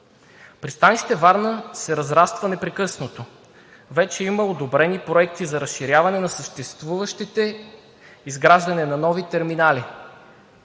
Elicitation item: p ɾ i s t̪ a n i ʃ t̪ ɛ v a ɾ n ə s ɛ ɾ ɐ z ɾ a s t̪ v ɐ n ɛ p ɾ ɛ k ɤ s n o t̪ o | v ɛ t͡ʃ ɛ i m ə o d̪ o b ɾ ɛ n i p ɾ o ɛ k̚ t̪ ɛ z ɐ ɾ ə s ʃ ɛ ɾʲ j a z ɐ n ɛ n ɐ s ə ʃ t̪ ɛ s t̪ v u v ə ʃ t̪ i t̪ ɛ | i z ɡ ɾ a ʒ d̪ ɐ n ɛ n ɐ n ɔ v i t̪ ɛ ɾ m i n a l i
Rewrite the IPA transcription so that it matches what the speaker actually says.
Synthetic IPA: p ɾ i s t̪ a n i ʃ t̪ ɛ v a ɾ n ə s ɛ ɾ ɐ z ɾ a s t̪ v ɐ n ɛ p ɾ ɛ k ɤ s n o t̪ o | v ɛ t͡ʃ ɛ i m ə o d̪ o b ɾ ɛ n i p ɾ o ɛ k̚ t̪ i z ɐ ɾ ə s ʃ i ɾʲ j a v ɐ n ɛ n ɐ s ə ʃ t̪ ɛ s t̪ v u v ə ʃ t̪ i t̪ ɛ | i z ɡ ɾ a ʒ d̪ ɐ n ɛ n ɐ n ɔ v i t̪ ɛ ɾ m i n a l i